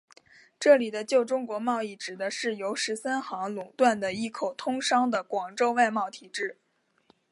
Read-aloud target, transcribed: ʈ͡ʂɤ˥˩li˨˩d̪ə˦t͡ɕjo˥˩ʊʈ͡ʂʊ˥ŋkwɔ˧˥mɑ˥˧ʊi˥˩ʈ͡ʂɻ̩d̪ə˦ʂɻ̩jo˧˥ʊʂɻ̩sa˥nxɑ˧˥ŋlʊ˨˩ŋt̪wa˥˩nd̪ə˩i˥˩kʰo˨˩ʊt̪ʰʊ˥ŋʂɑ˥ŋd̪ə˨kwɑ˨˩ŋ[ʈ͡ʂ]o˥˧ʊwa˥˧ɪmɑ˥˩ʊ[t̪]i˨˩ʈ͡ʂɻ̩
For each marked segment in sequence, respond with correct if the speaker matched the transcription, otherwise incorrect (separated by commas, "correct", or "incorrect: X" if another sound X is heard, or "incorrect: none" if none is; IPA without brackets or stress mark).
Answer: correct, incorrect: t̪ʰ